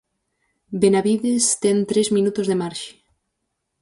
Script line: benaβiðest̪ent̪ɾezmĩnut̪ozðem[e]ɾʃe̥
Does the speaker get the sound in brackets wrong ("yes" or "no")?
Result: yes